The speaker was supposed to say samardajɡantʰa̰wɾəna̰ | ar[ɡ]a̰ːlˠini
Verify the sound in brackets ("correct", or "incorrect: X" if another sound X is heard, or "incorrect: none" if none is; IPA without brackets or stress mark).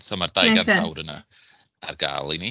correct